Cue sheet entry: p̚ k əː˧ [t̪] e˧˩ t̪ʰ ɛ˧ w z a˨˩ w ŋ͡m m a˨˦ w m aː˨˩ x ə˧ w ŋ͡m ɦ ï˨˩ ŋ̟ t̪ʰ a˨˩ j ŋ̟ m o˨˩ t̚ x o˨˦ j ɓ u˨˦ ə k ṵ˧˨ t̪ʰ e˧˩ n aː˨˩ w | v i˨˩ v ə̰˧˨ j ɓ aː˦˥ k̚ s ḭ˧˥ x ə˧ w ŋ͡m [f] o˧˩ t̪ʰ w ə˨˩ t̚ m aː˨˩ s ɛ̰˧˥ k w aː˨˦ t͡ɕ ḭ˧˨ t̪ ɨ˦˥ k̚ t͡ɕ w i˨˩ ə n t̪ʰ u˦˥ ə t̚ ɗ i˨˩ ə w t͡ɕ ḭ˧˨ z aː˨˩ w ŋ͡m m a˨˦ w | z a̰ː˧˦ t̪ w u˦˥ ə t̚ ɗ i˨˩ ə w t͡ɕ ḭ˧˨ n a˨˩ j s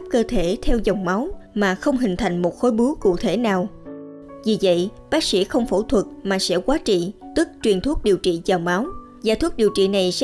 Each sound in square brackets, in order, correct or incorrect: incorrect: t̪ʰ, correct

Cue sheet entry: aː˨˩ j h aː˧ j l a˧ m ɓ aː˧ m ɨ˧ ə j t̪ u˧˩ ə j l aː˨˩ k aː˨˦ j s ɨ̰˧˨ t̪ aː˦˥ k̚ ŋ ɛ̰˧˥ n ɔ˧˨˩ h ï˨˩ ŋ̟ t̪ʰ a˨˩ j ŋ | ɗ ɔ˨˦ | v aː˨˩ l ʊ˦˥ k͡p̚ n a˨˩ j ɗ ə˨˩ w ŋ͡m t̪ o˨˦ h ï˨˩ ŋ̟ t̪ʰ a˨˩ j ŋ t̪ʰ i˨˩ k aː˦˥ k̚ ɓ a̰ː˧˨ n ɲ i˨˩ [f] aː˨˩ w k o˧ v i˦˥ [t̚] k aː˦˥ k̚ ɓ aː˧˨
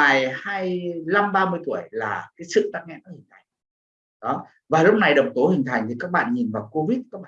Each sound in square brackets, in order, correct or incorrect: incorrect: v, correct

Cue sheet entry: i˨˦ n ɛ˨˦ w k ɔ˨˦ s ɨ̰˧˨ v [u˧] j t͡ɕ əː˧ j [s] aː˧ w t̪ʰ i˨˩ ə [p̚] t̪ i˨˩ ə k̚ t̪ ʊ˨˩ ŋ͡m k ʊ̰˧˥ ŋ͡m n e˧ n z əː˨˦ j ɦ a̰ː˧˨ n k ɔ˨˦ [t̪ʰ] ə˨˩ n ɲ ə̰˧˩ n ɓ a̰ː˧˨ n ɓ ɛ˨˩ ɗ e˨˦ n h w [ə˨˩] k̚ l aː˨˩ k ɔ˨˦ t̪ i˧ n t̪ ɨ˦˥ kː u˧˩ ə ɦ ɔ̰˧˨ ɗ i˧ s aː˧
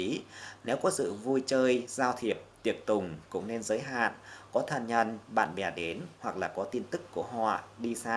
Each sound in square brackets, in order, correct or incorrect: correct, incorrect: z, correct, correct, incorrect: a˨˩

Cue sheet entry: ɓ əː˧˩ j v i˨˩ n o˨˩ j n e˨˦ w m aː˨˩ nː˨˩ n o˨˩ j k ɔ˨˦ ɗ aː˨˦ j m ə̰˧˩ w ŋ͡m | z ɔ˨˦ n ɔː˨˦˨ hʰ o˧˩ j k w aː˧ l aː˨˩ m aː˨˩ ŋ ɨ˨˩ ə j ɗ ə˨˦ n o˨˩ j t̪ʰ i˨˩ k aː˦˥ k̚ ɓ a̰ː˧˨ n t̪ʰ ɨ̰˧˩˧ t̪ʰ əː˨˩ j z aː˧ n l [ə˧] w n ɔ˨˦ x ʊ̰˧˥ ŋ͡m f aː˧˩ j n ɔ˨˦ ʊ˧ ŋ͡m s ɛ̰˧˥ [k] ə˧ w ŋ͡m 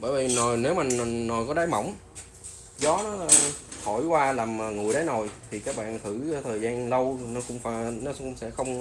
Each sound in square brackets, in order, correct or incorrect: correct, incorrect: x

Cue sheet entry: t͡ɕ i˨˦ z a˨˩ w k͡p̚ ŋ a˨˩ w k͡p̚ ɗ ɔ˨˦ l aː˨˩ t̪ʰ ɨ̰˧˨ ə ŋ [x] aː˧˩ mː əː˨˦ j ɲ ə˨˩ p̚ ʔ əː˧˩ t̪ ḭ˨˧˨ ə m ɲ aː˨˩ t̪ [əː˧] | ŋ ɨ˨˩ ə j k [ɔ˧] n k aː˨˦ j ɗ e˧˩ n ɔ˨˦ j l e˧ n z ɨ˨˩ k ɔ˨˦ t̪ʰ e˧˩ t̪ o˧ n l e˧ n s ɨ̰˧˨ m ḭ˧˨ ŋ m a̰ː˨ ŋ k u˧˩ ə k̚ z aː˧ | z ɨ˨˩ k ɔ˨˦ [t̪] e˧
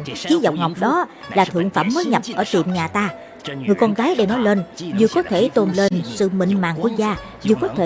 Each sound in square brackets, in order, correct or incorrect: incorrect: f, incorrect: aː˧, correct, incorrect: t̪ʰ

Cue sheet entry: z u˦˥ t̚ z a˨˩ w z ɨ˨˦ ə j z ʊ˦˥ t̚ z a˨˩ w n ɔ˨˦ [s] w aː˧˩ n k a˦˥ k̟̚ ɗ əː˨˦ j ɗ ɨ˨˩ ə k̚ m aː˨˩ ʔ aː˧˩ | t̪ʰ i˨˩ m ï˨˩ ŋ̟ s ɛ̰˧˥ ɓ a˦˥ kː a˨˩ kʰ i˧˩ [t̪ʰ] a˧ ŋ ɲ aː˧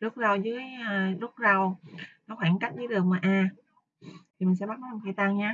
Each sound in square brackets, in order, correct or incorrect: incorrect: x, incorrect: t̪

